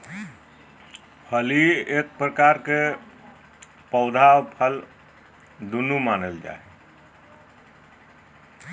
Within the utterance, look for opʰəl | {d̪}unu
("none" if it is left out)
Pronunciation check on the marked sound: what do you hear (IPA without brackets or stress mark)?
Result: d̪